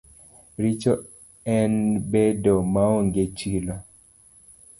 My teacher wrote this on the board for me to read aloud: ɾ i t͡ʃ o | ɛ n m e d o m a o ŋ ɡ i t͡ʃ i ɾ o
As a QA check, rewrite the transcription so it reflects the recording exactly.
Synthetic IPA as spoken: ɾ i t͡ʃ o | ɛ n b e d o m a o ŋ ɡ e t͡ʃ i l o

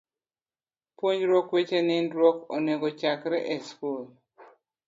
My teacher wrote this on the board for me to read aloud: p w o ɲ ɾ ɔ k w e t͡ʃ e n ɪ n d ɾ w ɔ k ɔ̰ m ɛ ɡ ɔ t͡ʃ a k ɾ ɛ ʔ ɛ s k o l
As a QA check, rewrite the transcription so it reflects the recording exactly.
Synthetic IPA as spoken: p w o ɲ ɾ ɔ k w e t͡ʃ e n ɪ n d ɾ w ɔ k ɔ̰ n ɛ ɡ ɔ t͡ʃ a k ɾ ɛ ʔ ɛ s k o l

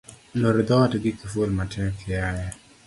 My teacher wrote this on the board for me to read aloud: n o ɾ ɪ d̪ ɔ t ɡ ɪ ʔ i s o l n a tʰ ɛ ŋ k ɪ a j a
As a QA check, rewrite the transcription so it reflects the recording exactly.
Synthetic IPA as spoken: n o ɾ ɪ d̪ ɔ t ɡ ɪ k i f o l m a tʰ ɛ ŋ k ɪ a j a

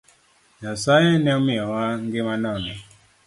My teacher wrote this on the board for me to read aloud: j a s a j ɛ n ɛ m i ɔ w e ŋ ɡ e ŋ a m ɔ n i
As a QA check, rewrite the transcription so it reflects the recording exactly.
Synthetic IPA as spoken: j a s a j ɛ n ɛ m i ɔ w a ŋ ɡ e m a n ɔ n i

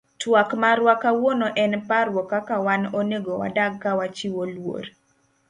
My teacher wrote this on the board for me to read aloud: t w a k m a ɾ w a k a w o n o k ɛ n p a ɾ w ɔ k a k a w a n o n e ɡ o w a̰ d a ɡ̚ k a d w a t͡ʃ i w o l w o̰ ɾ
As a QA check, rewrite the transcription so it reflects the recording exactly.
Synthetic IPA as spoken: t w a k m a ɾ w a k a w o n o ʔ ɛ n p a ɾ w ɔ k a k a w a n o n e ɡ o w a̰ d a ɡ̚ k a w a t͡ʃ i w o l w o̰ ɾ

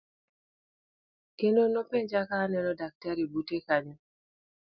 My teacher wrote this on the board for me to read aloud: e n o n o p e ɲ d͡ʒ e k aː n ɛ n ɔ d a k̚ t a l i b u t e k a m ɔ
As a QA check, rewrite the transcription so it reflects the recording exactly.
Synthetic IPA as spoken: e n o n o p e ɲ d͡ʒ a k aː n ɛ n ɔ d a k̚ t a ɾ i b u t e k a ɲ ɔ

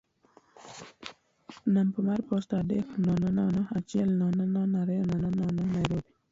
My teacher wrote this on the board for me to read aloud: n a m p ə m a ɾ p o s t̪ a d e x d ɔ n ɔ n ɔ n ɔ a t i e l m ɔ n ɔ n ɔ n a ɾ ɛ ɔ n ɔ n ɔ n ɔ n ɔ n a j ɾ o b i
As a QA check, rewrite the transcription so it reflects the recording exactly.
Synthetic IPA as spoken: n a m p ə m a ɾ p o s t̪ a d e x n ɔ n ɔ n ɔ n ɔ a t͡ʃ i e l n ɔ n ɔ n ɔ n a ɾ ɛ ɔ n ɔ n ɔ n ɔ n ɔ n a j ɾ o b i

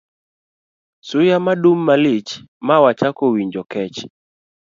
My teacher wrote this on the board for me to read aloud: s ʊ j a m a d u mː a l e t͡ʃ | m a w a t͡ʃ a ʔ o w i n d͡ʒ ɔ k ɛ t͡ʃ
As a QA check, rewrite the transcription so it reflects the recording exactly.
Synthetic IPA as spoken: s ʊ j a m a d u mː a l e t͡ʃ | m a w a t͡ʃ a k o w i ɲ d͡ʒ ɔ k ɛ t͡ʃ

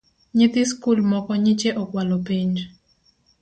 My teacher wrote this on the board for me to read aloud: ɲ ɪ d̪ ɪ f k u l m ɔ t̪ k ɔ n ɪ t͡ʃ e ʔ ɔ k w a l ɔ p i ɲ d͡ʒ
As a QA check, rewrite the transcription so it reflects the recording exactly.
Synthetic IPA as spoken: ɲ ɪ t̪ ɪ s k u l m ɔ k ɔ ɲ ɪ t͡ʃ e ʔ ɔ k w a l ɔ p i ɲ d͡ʒ

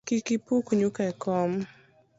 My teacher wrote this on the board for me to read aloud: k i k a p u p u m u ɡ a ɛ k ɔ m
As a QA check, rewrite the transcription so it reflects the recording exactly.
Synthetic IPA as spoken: k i k i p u k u ɲ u k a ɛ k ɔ m

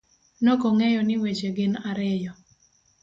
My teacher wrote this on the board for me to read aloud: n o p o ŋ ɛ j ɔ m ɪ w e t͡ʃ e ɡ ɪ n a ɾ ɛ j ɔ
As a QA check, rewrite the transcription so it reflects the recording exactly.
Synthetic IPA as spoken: n o k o ŋ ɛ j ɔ n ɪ w e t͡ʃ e ɡ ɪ n a ɾ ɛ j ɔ

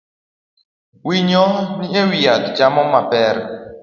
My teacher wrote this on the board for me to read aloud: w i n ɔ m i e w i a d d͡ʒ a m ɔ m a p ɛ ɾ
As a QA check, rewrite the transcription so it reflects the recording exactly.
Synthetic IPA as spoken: w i ɲ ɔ n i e w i a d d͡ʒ a m ɔ m a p ɛ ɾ

